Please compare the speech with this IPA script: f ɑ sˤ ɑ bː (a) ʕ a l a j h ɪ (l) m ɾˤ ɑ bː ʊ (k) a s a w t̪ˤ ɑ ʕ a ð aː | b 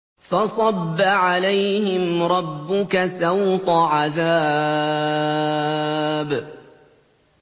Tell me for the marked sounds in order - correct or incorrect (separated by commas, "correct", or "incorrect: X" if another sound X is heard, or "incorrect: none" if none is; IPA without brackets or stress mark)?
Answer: correct, incorrect: none, correct